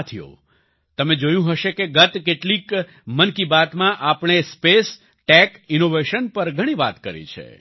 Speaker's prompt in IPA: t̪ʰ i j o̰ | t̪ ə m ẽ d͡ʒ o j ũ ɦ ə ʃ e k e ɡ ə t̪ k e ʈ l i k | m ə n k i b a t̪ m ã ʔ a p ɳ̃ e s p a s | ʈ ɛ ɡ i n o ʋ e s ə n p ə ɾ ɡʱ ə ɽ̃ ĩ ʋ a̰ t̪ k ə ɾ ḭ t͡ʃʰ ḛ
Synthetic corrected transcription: t̪ʰ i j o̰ | t̪ ə m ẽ d͡ʒ o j ũ ɦ ə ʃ e k e ɡ ə t̪ k e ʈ l i k | m ə n k i b a t̪ m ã ʔ a p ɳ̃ e s p e s | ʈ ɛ k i n o ʋ e ʃ ə n p ə ɾ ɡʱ ə ɽ̃ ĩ ʋ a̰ t̪ k ə ɾ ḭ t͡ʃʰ ḛ